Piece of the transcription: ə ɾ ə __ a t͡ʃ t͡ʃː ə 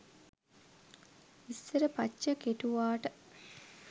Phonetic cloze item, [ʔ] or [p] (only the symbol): p